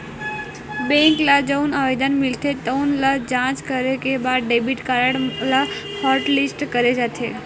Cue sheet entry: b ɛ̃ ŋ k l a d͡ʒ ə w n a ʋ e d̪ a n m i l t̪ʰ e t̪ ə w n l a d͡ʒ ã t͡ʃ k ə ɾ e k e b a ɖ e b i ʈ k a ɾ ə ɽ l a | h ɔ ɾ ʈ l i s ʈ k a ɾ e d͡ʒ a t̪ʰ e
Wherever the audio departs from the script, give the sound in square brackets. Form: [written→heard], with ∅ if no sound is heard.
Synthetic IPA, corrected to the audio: b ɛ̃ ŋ k l a d͡ʒ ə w n a ʋ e d̪ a n m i l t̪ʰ e t̪ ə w n l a d͡ʒ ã t͡ʃ k ə ɾ e k e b a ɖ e b i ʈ k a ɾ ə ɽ l a | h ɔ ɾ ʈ l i s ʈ k [a→ə] ɾ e d͡ʒ a t̪ʰ e